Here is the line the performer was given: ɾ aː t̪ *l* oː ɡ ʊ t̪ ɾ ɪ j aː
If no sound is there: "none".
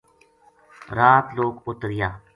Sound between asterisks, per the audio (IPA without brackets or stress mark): l